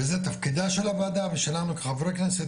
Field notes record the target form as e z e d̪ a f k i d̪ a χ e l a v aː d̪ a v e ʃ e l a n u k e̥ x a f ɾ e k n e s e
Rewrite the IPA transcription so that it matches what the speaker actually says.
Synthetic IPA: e z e t̪ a f k i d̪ a ʃ e l a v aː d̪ a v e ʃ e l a n u k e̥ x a v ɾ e k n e s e